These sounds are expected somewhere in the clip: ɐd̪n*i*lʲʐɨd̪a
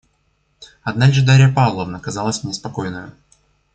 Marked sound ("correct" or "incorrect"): incorrect